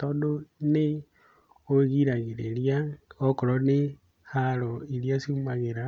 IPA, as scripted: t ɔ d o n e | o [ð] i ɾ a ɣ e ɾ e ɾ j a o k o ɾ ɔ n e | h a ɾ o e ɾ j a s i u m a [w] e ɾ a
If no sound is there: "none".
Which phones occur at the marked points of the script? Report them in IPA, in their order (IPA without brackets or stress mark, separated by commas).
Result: ɣ, ɣ